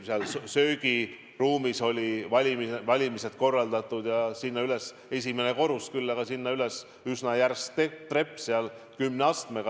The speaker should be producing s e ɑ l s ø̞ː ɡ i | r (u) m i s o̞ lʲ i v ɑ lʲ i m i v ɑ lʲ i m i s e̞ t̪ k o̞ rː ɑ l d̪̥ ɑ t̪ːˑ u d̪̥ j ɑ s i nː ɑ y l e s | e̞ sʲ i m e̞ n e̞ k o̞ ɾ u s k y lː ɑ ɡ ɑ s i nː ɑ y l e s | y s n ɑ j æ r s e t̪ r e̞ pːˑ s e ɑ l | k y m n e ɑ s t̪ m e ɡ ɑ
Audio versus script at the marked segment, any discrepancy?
yes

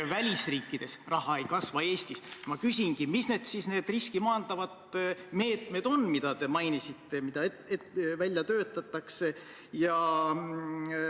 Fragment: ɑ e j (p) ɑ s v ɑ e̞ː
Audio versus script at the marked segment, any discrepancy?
yes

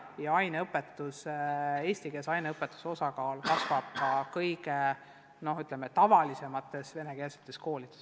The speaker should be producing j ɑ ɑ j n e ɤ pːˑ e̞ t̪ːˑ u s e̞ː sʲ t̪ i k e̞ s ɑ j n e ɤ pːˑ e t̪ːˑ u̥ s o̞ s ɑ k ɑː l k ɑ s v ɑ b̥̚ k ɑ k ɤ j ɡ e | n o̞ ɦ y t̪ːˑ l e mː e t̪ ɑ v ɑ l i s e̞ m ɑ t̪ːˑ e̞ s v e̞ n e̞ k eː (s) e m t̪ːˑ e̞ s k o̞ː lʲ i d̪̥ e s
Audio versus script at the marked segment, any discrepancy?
no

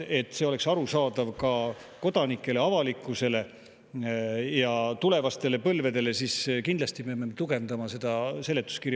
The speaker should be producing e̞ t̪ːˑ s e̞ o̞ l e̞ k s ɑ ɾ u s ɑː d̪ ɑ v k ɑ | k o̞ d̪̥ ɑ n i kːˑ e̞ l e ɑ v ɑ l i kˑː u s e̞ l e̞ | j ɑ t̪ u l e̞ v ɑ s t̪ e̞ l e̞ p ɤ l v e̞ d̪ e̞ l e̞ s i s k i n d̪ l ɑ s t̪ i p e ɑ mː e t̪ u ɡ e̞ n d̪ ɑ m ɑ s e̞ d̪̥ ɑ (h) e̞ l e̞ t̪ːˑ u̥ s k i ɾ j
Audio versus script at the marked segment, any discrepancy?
yes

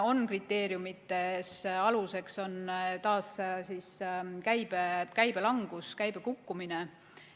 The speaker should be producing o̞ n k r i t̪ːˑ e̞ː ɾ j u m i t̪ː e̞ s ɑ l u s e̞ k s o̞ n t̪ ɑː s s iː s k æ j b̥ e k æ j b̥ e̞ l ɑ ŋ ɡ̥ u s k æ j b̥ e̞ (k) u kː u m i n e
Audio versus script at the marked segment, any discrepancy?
no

